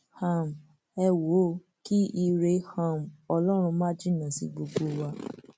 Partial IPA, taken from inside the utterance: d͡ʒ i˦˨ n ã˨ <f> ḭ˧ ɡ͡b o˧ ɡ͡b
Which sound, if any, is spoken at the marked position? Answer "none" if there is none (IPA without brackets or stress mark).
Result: s